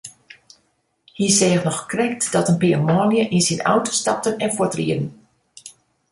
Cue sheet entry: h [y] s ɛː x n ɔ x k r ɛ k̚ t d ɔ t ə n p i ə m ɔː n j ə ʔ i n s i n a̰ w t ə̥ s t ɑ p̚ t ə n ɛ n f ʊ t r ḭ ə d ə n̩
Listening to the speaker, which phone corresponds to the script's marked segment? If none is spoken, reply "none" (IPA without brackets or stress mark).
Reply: i